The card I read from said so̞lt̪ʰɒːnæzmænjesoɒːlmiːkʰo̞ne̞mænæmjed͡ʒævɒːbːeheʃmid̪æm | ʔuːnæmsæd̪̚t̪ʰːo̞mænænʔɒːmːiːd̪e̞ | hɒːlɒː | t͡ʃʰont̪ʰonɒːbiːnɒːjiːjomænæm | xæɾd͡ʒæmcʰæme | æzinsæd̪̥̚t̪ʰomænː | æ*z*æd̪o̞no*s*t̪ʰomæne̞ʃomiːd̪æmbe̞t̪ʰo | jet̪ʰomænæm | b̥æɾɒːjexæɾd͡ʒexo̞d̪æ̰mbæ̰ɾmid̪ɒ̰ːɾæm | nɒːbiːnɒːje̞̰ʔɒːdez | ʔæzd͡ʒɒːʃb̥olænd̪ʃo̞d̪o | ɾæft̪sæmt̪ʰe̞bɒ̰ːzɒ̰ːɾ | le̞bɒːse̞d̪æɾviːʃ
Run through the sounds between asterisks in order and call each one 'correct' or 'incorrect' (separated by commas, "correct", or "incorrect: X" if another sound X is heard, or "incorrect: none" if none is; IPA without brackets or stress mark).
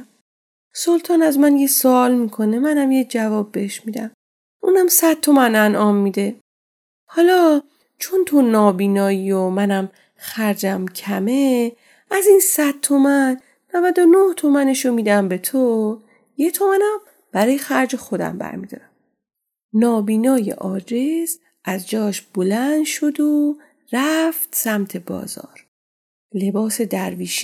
incorrect: v, incorrect: h